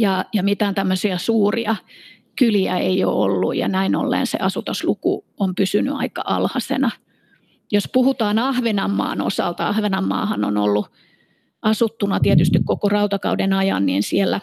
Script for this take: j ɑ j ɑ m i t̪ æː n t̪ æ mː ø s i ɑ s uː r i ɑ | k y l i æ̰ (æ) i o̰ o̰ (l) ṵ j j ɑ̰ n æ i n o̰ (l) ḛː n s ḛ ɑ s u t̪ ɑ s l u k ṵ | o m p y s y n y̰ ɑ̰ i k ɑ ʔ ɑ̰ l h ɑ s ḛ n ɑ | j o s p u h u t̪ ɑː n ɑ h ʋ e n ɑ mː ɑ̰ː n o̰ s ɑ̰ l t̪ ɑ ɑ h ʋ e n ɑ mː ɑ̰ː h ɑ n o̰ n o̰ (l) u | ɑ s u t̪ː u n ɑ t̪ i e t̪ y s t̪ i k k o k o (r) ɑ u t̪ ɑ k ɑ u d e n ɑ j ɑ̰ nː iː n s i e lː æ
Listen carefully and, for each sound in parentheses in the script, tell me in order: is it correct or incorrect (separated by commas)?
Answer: incorrect, incorrect, incorrect, incorrect, correct